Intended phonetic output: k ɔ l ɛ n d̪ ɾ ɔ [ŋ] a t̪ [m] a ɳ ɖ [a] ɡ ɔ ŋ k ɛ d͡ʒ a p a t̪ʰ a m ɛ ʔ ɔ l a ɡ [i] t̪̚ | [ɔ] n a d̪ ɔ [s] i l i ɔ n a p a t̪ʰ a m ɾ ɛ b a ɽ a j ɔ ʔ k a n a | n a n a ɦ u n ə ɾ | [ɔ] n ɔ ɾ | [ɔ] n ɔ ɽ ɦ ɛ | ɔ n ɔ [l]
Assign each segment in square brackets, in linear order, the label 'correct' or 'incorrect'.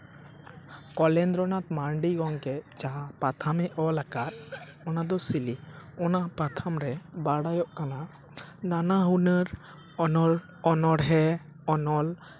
incorrect: n, correct, incorrect: i, incorrect: a, correct, correct, correct, correct, correct

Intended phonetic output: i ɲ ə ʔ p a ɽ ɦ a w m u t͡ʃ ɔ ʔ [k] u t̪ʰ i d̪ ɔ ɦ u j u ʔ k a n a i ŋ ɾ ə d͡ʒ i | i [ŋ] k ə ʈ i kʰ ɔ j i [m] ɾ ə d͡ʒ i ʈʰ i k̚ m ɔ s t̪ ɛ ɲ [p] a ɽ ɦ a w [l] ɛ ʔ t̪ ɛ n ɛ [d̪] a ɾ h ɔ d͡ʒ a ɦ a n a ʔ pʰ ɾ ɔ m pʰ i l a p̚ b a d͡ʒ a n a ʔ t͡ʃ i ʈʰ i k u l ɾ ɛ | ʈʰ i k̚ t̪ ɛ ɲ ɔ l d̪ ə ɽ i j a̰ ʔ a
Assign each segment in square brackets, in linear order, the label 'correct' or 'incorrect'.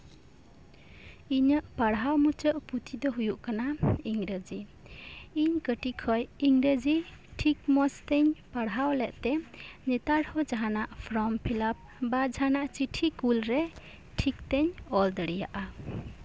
incorrect: p, incorrect: ɲ, incorrect: ŋ, correct, correct, incorrect: t̪

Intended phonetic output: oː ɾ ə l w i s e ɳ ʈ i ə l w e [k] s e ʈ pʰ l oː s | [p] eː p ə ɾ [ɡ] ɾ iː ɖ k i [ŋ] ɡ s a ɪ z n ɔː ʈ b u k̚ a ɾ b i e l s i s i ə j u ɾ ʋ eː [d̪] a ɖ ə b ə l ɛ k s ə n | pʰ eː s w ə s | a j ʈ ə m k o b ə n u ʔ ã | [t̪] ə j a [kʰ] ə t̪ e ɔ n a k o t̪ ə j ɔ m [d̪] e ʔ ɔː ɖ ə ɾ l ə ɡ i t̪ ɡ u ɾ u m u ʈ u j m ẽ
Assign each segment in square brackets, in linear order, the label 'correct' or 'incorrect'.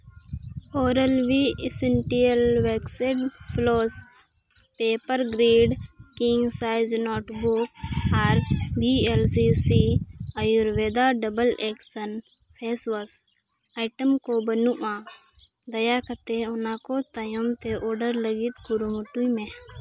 correct, correct, correct, correct, correct, incorrect: d̪, incorrect: k, incorrect: t̪

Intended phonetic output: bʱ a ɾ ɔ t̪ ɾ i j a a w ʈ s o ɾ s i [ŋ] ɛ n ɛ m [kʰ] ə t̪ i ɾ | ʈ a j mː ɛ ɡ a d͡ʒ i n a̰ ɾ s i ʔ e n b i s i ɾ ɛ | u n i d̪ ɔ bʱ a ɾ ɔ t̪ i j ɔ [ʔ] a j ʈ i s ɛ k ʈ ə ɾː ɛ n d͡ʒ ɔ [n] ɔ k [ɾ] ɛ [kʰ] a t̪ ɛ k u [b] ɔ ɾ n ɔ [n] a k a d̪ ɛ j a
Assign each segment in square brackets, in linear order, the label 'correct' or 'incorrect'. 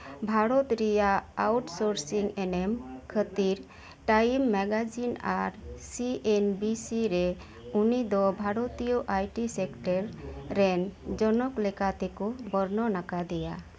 correct, correct, correct, correct, incorrect: l, incorrect: k, correct, correct

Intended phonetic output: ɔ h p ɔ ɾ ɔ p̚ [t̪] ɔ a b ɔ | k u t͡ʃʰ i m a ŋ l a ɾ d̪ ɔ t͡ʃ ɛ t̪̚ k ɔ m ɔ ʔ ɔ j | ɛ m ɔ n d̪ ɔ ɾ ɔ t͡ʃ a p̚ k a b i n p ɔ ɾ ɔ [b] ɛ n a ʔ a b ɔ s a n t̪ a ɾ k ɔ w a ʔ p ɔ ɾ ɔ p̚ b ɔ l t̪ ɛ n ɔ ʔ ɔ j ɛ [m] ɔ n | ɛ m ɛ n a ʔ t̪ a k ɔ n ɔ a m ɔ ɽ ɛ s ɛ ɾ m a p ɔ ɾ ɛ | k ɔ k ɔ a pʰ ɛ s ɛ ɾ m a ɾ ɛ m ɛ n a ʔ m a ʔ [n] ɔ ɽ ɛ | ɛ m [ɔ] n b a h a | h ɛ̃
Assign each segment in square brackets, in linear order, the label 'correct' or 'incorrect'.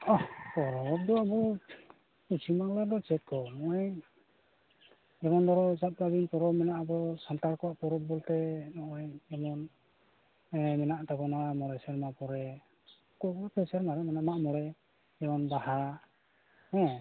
incorrect: d̪, incorrect: m, correct, incorrect: m, correct

